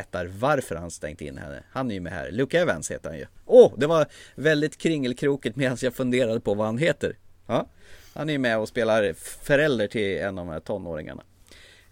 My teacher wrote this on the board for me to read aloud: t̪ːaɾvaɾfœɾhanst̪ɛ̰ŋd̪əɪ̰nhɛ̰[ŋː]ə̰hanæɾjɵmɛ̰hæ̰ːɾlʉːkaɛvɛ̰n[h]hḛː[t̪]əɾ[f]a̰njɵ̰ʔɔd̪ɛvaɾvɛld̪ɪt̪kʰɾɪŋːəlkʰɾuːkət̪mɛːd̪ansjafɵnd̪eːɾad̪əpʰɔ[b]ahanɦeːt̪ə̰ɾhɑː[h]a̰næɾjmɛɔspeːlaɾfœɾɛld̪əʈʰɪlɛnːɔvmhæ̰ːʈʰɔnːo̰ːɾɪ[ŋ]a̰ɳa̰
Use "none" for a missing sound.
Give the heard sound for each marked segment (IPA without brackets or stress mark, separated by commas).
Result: nː, s, t̪, h, v, h, ŋ